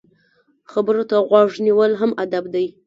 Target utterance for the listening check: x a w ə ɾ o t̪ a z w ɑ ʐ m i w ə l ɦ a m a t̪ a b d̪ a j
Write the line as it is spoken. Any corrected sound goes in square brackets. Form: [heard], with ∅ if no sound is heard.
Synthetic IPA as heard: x a [b] ə ɾ o t̪ a [ɣ] w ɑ ʐ [n] i w ə l ɦ a m a [d̪] a b d̪ a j